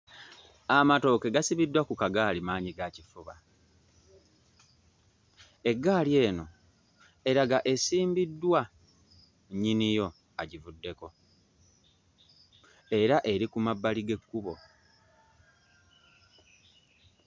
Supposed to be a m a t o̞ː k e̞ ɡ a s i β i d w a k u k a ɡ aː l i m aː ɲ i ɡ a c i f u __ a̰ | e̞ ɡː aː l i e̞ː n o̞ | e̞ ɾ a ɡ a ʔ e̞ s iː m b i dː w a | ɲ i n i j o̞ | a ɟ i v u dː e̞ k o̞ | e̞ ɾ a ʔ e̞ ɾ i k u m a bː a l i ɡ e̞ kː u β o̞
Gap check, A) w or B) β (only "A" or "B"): B